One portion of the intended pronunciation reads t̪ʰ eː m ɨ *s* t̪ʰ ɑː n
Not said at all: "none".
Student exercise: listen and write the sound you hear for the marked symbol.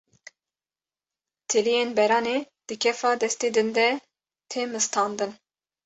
s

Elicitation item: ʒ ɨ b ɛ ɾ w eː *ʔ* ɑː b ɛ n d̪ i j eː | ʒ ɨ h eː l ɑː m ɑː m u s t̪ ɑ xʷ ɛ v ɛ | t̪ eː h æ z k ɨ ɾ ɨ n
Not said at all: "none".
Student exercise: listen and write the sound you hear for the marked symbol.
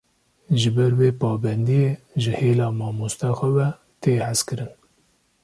p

